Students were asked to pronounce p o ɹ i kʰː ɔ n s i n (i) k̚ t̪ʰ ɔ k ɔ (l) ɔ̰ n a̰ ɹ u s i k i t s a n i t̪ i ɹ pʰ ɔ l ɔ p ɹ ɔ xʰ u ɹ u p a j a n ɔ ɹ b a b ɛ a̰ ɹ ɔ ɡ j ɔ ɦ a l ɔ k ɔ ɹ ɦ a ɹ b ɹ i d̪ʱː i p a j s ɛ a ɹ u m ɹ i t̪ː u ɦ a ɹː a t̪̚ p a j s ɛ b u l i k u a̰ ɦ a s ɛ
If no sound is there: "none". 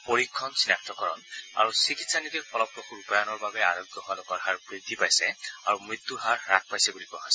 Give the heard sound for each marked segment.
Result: a, ɹ

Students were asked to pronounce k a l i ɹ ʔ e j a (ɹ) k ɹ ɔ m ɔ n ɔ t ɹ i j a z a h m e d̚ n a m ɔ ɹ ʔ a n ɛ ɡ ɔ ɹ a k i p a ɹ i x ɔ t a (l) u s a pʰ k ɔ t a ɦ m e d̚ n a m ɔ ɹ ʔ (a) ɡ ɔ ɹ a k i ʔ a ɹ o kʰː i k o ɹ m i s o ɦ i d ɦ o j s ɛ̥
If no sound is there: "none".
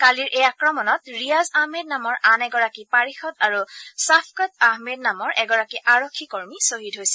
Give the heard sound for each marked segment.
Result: none, ɹ, ɛ

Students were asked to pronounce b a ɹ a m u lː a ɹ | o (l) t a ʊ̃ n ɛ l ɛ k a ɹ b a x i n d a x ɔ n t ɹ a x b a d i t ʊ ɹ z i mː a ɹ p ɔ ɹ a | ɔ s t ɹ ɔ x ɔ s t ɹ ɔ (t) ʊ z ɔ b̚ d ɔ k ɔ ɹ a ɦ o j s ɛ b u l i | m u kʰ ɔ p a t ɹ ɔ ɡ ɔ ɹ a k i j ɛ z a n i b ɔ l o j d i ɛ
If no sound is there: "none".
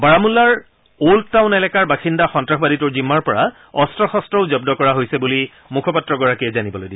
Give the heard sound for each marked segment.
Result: l, none

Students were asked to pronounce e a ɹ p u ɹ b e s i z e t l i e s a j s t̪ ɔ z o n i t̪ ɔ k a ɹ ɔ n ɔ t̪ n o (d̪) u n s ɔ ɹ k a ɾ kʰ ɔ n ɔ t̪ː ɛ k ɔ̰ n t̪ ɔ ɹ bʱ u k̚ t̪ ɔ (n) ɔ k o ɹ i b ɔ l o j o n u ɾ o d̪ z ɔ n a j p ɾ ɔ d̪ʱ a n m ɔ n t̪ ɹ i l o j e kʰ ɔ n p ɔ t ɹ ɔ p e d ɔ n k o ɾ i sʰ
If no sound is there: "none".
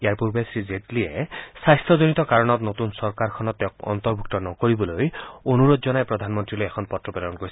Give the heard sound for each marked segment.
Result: t̪, n

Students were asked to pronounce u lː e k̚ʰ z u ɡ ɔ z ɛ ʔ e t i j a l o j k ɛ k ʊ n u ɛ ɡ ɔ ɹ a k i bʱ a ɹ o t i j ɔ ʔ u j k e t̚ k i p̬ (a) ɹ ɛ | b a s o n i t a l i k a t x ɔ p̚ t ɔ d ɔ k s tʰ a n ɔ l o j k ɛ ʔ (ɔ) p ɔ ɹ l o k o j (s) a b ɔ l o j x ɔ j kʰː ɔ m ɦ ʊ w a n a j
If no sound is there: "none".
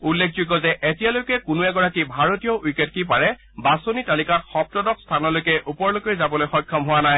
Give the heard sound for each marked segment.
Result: a, u, z

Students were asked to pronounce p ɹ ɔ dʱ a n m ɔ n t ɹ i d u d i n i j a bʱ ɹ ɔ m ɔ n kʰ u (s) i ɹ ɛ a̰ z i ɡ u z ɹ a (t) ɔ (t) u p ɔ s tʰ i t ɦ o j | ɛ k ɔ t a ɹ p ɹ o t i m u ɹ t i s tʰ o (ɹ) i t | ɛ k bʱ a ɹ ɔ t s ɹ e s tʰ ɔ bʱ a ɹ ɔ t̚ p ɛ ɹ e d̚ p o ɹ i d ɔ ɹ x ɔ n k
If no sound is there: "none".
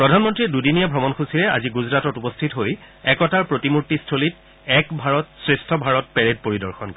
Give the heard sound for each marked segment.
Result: s, t, t, l

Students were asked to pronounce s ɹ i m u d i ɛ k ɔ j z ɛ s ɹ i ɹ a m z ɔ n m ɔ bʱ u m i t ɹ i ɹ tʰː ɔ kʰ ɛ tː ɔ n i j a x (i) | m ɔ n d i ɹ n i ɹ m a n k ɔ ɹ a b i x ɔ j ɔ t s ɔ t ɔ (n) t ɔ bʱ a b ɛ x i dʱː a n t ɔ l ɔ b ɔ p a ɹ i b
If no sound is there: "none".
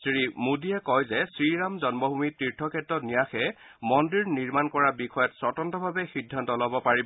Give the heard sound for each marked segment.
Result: ɛ, n

